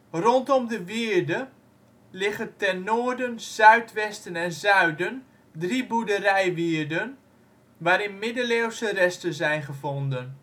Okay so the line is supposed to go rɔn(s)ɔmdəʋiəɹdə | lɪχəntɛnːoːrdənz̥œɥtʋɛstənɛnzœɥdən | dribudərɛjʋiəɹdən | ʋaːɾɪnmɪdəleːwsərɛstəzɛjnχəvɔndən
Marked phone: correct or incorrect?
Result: incorrect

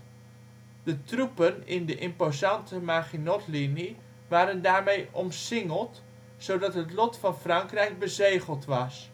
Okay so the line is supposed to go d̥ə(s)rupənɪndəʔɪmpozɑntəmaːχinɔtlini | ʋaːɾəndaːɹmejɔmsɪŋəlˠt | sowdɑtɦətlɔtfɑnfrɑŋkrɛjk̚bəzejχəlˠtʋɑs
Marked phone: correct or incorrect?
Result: incorrect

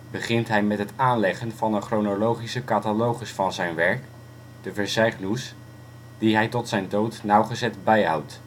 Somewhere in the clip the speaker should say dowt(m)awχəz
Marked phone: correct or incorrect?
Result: incorrect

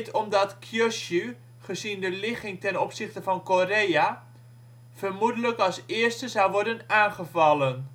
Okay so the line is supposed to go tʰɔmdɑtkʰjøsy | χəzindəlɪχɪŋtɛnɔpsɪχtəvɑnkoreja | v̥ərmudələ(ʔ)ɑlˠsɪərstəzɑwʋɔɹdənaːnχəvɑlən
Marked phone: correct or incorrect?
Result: incorrect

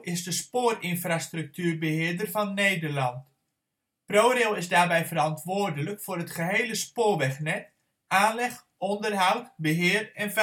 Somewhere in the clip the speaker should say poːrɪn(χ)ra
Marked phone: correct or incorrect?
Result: incorrect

